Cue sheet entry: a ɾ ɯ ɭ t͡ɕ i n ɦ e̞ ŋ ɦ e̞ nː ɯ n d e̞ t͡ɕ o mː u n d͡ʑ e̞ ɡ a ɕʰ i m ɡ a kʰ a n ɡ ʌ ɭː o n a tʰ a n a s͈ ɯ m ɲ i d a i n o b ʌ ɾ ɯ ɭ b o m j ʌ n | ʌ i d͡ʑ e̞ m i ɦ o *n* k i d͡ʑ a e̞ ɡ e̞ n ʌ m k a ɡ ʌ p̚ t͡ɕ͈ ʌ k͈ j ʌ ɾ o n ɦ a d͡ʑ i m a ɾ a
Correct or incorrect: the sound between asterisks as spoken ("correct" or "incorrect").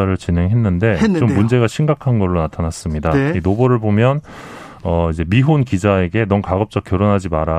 correct